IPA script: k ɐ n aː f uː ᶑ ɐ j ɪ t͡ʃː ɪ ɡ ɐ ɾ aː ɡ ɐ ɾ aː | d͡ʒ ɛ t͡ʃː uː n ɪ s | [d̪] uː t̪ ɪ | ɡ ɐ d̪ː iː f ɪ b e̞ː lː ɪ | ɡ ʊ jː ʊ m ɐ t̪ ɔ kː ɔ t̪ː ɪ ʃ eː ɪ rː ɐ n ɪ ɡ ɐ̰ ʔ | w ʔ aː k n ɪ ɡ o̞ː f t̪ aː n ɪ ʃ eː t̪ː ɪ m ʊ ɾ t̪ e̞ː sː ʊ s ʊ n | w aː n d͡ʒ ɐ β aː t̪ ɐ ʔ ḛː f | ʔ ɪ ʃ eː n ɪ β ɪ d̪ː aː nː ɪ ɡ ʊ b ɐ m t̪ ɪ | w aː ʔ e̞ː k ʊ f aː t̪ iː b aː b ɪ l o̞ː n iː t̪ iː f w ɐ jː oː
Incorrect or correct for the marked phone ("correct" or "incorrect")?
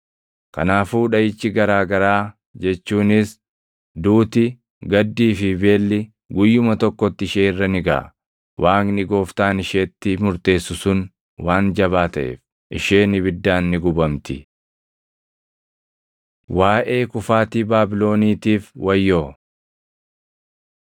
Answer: correct